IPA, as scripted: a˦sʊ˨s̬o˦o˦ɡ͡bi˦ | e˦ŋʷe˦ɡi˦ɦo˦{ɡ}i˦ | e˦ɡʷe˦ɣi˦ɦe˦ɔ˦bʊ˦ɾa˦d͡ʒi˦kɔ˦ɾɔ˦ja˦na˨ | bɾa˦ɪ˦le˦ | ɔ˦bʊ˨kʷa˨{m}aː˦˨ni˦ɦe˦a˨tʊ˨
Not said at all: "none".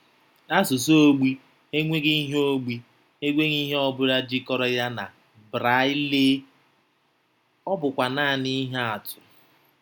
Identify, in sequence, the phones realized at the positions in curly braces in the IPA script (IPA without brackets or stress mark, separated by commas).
ɡ͡b, n